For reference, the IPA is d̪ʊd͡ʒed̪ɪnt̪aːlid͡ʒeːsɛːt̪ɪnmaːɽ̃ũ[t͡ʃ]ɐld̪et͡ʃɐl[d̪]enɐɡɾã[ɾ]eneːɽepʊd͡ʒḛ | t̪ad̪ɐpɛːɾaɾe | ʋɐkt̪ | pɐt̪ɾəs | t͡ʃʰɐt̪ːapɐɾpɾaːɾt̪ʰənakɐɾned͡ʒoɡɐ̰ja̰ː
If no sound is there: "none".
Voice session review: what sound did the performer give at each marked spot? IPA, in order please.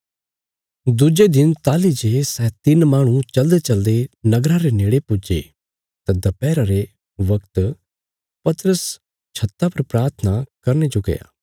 t͡ʃ, d̪, ɾ

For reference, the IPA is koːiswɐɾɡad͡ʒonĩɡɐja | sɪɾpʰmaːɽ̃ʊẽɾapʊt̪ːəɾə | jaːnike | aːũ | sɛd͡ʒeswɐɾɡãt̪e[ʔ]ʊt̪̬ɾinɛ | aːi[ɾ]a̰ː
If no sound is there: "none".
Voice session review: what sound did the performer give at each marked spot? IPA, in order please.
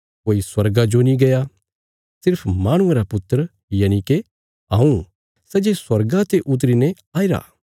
ʔ, ɾ

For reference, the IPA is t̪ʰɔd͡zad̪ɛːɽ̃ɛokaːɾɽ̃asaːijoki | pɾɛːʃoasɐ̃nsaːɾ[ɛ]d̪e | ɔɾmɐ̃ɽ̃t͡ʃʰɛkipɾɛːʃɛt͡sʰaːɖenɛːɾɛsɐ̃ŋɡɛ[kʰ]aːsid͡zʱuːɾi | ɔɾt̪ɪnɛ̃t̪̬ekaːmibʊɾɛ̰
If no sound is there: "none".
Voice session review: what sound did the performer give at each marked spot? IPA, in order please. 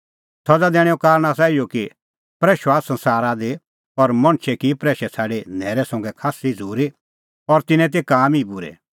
a, kʰ

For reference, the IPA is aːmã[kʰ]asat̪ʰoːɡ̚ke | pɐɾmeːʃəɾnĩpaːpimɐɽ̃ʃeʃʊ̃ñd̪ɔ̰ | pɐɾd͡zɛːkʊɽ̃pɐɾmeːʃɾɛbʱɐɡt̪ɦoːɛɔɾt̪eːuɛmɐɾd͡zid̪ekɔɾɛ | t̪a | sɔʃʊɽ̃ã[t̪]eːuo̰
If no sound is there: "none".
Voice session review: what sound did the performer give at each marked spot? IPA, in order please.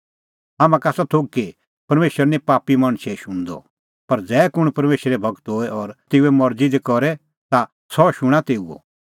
k, t̪

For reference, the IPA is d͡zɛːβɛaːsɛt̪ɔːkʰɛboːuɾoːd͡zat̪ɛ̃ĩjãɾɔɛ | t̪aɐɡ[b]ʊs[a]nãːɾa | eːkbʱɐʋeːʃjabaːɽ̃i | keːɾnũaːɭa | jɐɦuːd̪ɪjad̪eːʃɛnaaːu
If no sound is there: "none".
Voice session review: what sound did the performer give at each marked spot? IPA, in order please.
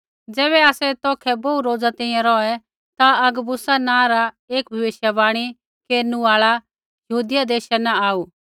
b, a

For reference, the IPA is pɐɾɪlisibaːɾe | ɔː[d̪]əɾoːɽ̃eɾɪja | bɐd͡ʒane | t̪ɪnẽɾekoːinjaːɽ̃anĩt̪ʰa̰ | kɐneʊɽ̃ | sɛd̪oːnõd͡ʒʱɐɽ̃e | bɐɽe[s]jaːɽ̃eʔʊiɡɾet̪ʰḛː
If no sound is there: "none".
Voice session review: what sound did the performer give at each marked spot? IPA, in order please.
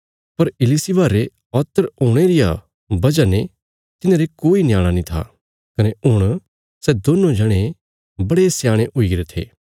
t̪, s

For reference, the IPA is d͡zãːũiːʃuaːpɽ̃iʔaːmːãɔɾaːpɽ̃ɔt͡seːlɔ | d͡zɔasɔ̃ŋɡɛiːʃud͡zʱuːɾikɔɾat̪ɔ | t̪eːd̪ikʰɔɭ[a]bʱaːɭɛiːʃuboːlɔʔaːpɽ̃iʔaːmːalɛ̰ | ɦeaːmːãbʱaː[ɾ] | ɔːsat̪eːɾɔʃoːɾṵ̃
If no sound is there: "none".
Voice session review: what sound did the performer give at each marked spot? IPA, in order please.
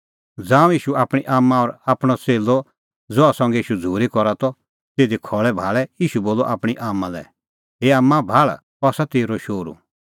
ɛ, ɭ

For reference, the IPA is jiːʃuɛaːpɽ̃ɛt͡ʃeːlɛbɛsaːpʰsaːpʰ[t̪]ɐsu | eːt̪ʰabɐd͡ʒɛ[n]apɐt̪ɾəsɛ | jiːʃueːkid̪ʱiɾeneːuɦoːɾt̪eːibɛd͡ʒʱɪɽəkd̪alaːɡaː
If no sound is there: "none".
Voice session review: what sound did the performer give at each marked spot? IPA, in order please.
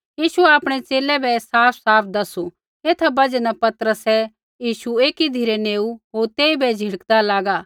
d̪, n

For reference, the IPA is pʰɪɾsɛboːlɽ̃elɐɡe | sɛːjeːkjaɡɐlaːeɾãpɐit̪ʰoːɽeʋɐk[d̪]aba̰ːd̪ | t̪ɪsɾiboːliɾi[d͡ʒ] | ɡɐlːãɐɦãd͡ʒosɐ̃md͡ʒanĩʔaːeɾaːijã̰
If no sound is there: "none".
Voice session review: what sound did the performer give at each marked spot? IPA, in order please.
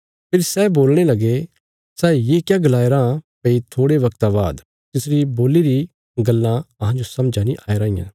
t̪, none

